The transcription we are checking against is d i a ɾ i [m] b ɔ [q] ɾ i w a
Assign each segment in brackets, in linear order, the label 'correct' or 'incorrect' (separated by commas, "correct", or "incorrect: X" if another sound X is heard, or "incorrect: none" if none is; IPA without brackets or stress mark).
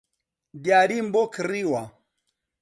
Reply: correct, incorrect: k